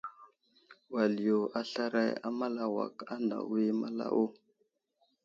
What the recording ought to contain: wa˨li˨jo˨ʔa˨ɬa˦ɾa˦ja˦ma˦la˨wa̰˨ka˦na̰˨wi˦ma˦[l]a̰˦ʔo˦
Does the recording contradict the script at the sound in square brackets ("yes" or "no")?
no